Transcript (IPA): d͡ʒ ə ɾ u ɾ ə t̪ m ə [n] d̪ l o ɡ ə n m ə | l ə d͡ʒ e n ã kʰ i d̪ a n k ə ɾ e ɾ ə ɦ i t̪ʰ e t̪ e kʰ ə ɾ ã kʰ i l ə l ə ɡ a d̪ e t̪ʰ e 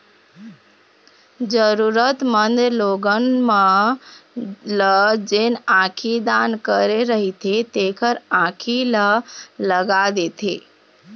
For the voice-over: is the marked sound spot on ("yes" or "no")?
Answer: yes